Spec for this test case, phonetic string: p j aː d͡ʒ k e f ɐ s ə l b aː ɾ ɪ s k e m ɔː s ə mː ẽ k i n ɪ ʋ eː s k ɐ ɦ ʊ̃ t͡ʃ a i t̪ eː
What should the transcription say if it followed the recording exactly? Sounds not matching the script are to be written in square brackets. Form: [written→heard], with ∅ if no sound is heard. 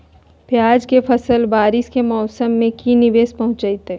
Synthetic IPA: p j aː d͡ʒ k e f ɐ s ə l b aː ɾ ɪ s k e m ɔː s ə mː ẽ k i n ɪ ʋ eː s [k→p] ɐ ɦ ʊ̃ t͡ʃ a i t̪ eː

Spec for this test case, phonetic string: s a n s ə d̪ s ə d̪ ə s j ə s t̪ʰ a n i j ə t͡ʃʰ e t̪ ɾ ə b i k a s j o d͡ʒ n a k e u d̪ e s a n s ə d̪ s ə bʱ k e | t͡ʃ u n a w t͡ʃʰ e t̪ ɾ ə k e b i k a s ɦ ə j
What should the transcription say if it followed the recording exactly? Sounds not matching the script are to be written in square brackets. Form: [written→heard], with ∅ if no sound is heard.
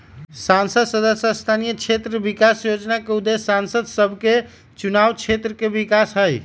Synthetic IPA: s a n s ə d̪ s ə d̪ ə s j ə s t̪ʰ a n i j ə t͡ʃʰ e t̪ ɾ ə b i k a s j o d͡ʒ n a k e u d̪ e s a n s ə d̪ s ə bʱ k e | t͡ʃ u n a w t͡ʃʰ e t̪ ɾ ə k e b i k a s ɦ ə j

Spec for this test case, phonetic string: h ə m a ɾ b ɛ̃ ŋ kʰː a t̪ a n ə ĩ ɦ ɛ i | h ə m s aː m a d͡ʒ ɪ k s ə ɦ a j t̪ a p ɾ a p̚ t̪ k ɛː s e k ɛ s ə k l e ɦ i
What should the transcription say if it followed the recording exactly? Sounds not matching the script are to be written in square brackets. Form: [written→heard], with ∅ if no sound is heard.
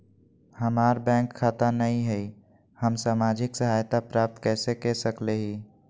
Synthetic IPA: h ə m a ɾ b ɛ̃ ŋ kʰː a t̪ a n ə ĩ ɦ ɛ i | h ə m s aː m a d͡ʒ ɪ k s ə ɦ a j t̪ a p ɾ a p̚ t̪ k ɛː s e k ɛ s ə k l e ɦ i

